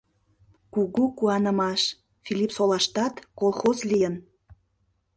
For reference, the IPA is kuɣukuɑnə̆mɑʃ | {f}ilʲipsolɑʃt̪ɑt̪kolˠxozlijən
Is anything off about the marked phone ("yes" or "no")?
no